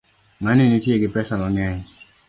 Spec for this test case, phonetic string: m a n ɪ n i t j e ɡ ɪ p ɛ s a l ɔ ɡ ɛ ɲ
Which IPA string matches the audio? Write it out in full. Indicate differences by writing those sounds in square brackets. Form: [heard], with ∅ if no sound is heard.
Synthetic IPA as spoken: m a n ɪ n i t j e ɡ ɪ p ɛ s a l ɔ [ŋ] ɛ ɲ